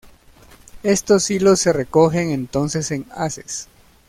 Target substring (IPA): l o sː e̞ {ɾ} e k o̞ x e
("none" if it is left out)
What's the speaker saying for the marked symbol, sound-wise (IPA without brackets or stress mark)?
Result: r